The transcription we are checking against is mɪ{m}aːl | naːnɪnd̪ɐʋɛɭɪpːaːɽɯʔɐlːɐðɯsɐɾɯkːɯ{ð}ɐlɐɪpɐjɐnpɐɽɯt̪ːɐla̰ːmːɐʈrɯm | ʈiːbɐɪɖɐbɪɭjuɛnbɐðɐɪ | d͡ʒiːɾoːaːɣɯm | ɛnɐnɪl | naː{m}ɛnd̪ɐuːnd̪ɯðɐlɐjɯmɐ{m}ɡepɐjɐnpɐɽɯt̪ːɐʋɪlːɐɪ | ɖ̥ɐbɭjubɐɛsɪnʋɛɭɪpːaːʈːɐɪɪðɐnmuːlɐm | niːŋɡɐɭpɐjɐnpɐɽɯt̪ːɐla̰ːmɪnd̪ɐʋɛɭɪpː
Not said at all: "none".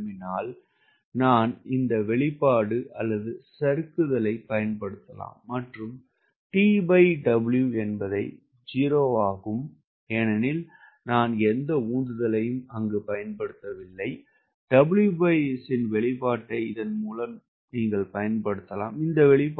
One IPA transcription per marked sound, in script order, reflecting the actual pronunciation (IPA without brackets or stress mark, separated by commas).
n, ð, n, ŋ